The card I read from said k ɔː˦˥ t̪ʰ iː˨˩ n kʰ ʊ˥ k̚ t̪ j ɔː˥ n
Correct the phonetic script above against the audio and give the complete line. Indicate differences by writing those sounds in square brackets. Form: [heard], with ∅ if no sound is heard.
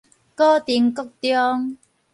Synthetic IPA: k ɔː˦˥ [t̪] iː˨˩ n [k] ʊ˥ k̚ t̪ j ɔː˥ [ŋ]